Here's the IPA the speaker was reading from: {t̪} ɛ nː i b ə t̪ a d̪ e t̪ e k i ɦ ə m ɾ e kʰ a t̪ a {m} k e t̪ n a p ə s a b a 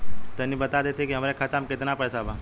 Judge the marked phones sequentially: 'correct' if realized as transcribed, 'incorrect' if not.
correct, correct

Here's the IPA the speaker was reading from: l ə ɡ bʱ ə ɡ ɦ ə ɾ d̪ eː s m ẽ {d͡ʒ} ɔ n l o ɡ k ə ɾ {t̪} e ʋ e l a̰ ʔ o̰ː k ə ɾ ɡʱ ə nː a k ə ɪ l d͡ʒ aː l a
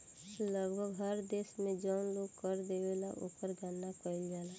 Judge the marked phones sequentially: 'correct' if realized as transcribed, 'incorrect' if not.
correct, incorrect: d̪

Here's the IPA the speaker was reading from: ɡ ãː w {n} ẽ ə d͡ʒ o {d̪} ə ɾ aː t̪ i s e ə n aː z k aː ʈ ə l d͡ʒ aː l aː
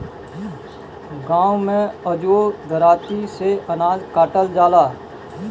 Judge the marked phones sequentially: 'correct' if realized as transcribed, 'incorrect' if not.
incorrect: m, correct

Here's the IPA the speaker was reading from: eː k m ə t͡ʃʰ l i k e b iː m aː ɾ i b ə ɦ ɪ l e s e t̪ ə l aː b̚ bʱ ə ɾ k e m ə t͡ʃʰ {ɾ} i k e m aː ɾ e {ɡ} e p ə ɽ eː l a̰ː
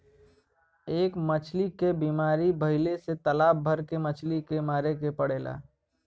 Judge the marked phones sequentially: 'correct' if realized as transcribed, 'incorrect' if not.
incorrect: l, incorrect: k

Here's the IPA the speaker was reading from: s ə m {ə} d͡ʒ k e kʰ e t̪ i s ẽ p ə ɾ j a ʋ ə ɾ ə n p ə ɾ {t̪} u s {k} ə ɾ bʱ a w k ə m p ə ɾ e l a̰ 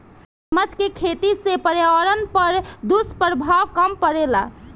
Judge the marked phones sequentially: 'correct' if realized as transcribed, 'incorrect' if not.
correct, incorrect: d̪, incorrect: p

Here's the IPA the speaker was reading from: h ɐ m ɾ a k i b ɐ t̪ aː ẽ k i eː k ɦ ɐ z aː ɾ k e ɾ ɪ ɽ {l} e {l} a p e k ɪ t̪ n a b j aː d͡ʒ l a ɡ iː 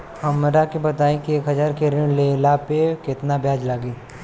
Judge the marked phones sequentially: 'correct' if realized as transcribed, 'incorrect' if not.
correct, correct

